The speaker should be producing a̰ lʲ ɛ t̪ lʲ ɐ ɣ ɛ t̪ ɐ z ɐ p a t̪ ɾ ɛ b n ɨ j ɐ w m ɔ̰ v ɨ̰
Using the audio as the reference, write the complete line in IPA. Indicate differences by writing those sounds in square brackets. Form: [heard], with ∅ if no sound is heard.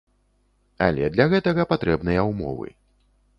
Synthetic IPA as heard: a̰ lʲ ɛ [d̪] lʲ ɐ ɣ ɛ t̪ ɐ [ɣ] ɐ p a t̪ ɾ ɛ b n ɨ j ɐ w m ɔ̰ v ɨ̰